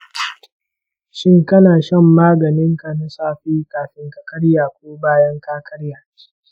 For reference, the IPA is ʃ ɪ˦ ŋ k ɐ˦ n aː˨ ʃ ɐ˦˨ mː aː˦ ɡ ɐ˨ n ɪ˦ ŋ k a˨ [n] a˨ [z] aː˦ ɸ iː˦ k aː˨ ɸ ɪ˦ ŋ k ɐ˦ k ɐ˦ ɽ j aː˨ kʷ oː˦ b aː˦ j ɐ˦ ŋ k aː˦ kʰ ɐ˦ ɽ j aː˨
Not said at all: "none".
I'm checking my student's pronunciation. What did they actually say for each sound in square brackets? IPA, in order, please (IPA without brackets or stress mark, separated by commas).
n, s